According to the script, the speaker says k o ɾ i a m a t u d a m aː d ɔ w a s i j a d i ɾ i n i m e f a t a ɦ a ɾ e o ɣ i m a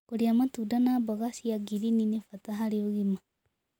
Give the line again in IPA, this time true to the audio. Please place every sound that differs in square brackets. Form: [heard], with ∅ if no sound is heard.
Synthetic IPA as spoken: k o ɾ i a m a t u d a [n] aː [b] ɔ [ɣ] a s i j a [ɡ] i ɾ i n i [n] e f a t a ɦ a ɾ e o ɣ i m a